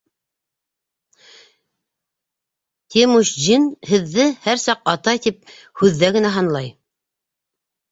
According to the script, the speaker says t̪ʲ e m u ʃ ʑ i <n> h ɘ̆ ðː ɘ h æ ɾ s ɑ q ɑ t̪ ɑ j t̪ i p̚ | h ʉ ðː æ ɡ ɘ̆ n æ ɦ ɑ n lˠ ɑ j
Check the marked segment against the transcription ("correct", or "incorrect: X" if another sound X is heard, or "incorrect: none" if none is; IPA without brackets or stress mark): correct